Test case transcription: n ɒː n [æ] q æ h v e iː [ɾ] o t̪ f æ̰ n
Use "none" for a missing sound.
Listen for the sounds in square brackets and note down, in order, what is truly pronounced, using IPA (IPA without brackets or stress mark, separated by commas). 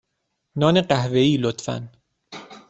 e, l